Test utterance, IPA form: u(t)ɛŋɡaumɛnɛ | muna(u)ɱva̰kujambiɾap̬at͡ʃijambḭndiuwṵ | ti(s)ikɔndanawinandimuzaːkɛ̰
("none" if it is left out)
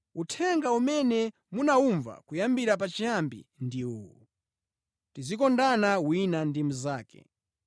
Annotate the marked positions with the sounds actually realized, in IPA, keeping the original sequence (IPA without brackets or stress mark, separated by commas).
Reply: tʰ, u, z